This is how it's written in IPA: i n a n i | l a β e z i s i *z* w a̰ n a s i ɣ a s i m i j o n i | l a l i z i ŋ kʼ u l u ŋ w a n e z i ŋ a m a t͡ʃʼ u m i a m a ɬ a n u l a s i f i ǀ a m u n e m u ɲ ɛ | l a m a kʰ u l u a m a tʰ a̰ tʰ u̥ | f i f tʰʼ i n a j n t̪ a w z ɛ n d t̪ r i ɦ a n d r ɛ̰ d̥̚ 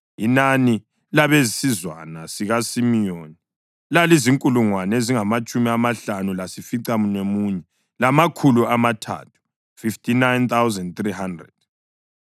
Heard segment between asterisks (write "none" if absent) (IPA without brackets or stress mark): z